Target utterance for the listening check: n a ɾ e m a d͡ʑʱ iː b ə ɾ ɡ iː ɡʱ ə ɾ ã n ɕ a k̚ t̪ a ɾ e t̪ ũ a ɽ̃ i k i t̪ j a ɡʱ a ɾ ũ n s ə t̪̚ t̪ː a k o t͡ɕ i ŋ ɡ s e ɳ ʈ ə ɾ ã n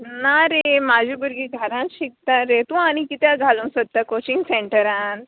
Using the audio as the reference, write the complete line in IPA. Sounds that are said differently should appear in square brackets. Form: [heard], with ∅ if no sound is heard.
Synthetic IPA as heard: n a ɾ e m a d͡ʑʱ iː b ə ɾ ɡ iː ɡʱ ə ɾ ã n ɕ [i] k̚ t̪ a ɾ e t̪ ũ a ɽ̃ i k i t̪ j a ɡʱ a [l] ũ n s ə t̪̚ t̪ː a k o t͡ɕ i ŋ ɡ s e ɳ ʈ ə ɾ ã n

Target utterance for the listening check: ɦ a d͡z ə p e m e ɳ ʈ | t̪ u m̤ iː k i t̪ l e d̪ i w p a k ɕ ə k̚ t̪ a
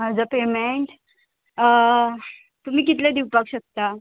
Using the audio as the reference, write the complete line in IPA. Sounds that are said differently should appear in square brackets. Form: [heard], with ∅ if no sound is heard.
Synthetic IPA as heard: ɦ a d͡z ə p e m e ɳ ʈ | t̪ u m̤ iː k i t̪ l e d̪ i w p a k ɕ ə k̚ t̪ a

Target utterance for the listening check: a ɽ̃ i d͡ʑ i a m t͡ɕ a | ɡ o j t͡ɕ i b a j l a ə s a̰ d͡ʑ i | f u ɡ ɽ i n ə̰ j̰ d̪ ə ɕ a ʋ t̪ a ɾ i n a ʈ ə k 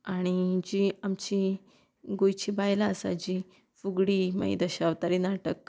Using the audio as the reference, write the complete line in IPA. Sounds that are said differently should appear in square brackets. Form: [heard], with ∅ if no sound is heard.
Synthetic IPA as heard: a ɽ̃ i d͡ʑ i a m t͡ɕ [i] | ɡ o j t͡ɕ i b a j l a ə s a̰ d͡ʑ i | f u ɡ ɽ i [m] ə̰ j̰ d̪ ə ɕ a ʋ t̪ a ɾ i n a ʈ ə k

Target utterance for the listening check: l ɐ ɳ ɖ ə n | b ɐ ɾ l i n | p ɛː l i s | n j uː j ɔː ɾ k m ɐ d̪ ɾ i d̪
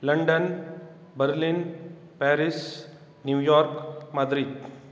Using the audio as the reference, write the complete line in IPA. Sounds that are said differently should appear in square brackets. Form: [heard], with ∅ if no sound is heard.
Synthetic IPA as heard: l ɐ ɳ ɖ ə n | b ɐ ɾ l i n | p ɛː [ɾ] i s | n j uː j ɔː ɾ k m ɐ d̪ ɾ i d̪

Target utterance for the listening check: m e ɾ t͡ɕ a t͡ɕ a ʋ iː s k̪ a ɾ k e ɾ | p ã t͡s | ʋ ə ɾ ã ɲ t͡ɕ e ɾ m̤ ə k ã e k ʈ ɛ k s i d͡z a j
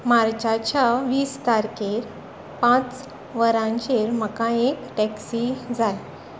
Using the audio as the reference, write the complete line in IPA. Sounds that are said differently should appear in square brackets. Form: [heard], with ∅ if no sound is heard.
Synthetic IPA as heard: m [a] ɾ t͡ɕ a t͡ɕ a ʋ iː s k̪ a ɾ k e ɾ | p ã t͡s | ʋ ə ɾ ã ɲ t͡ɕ e ɾ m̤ ə k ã e k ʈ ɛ k s i d͡z a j

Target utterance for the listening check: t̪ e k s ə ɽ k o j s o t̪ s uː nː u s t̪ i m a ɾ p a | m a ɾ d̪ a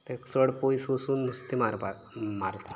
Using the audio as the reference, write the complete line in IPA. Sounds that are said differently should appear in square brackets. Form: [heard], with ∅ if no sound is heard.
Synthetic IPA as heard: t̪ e k s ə ɽ [p] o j s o [∅] s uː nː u s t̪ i m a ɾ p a | m a ɾ [t̪] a

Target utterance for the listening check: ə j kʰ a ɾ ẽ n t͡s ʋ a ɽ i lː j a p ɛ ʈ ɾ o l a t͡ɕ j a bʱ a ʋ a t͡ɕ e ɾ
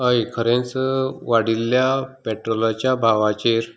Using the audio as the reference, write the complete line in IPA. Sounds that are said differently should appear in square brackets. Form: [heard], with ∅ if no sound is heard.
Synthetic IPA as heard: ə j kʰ [ə] ɾ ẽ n t͡s ʋ a ɽ i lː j a p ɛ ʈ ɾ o l a t͡ɕ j a bʱ a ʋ a t͡ɕ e ɾ

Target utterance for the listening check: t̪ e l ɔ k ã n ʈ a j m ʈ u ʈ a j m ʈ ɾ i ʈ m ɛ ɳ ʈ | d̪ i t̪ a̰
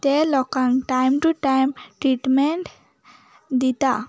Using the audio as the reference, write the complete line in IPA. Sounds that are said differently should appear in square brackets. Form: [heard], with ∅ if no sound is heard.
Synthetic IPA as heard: t̪ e l ɔ k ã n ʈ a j m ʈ u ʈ a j m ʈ ɾ i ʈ m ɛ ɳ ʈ | d̪ i t̪ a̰

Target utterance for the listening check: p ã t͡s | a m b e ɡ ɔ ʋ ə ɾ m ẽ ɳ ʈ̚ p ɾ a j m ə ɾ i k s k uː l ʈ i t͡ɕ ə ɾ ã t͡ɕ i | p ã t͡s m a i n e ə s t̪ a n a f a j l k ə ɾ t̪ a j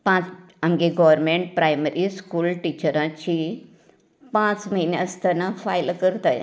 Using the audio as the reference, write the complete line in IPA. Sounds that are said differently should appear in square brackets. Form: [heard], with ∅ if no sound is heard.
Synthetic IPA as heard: p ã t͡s | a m [ɡ] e ɡ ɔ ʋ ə ɾ m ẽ ɳ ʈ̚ p ɾ a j m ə ɾ i [∅] s k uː l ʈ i t͡ɕ ə ɾ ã t͡ɕ i | p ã t͡s m [ə] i n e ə s t̪ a n a f a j l k ə ɾ t̪ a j

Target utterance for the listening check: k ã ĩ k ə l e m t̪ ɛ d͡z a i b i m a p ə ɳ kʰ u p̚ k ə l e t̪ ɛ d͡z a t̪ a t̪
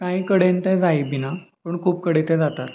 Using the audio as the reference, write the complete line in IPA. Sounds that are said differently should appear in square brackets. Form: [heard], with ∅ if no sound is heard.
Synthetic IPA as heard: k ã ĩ k ə [ɽ] e [n] t̪ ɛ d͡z a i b i [n] a p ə ɳ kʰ [uː] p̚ k ə [ɽ] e t̪ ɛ d͡z a t̪ a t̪

